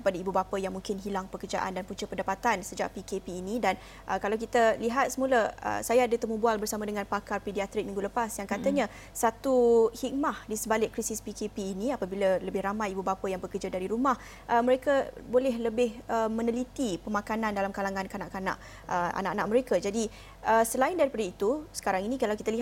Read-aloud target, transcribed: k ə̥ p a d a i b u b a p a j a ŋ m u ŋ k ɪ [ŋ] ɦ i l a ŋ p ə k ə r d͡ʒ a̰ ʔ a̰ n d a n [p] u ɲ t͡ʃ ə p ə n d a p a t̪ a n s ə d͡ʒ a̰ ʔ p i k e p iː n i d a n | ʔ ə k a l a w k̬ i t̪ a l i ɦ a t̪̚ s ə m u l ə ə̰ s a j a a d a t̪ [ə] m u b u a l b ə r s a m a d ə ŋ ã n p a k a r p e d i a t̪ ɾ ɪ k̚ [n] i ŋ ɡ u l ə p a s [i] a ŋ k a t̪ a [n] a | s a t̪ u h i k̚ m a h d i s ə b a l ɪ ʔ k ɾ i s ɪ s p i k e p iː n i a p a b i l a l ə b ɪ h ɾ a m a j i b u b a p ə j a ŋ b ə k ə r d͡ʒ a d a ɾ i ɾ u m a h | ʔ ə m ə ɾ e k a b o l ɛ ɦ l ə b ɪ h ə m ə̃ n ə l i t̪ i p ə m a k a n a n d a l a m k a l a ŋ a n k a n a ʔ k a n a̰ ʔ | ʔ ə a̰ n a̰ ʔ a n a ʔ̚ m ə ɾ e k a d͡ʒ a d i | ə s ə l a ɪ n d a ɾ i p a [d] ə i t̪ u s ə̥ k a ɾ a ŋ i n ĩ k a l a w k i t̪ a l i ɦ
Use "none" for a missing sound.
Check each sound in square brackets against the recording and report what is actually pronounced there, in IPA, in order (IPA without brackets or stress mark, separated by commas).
n, p, ə, m, j, ɲ, d